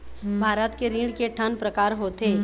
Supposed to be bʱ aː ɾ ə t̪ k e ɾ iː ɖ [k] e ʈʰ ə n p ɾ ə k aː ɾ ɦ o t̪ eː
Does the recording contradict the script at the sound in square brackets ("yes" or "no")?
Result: no